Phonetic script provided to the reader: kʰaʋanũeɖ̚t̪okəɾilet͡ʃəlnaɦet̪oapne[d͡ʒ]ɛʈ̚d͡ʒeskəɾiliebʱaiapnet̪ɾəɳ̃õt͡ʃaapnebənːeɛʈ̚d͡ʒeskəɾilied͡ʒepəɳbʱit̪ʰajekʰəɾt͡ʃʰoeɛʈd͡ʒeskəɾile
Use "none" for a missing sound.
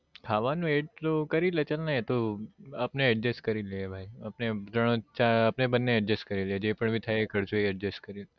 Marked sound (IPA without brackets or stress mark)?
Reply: none